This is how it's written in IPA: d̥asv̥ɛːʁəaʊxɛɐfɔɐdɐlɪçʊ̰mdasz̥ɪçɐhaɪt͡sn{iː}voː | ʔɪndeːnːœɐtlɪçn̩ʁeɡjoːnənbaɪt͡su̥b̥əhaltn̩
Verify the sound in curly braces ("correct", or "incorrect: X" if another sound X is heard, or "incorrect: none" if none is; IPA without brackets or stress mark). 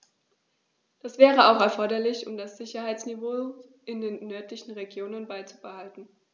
incorrect: i